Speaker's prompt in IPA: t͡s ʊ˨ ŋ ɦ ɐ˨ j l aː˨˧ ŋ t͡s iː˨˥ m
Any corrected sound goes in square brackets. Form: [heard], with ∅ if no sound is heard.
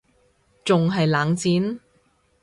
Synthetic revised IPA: t͡s ʊ˨ ŋ ɦ ɐ˨ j l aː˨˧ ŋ t͡s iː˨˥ [n]